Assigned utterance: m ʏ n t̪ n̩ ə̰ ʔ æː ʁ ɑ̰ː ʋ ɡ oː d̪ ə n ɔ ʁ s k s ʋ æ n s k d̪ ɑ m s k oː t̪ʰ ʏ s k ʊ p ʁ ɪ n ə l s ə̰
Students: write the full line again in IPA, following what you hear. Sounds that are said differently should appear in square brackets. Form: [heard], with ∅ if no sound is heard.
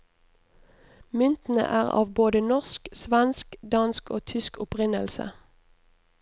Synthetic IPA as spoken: m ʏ n t̪ n̩ ə̰ ʔ æː ʁ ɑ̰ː ʋ [b] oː d̪ ə n ɔ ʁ s k s ʋ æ n s k d̪ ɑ [n] s k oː t̪ʰ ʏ s k ʊ p ʁ ɪ n ə l s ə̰